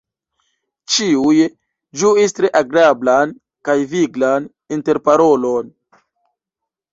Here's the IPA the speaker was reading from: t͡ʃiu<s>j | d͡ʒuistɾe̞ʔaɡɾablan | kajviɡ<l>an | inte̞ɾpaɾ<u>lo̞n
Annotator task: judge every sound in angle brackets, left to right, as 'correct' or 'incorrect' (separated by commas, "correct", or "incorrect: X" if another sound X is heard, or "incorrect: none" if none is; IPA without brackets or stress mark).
incorrect: none, correct, incorrect: o